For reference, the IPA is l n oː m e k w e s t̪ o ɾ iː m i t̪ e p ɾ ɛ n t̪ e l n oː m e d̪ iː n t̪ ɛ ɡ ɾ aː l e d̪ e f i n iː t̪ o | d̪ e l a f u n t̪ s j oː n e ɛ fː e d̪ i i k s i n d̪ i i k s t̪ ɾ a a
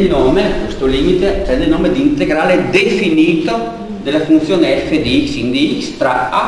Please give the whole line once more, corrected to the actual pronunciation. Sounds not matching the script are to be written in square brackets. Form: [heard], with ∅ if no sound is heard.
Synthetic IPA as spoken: l n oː m e k w e s t̪ o [l] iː m i t̪ e p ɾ ɛ n [d̪] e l n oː m e d̪ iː n t̪ [e] ɡ ɾ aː l e d̪ e f i n iː t̪ o | d̪ e l a f u n t̪ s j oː n e ɛ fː e d̪ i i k s i n d̪ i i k s t̪ ɾ a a